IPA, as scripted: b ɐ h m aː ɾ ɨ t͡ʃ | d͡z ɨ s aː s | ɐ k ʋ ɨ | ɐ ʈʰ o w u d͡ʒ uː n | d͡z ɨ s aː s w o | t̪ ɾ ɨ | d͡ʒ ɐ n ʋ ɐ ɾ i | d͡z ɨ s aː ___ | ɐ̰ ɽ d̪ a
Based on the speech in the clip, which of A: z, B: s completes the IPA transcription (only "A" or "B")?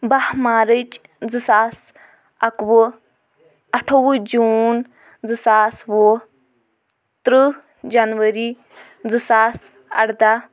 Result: B